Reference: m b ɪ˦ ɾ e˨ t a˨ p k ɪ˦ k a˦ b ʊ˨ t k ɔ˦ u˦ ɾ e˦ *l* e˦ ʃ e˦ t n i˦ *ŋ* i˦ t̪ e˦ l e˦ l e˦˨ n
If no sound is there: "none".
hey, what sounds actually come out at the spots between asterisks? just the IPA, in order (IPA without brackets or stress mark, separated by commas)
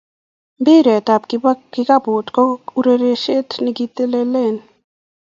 ɾ, ɡ